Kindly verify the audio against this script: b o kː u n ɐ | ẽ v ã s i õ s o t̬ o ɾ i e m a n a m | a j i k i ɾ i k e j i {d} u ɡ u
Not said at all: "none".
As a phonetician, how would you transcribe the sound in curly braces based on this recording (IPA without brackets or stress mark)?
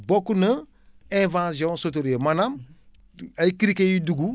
d